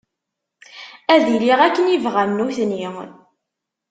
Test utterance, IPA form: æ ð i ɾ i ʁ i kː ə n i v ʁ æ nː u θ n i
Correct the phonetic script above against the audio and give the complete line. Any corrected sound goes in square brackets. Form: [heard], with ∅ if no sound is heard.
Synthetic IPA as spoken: æ ð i [l] i ʁ [æ] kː ə n i v ʁ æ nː u θ n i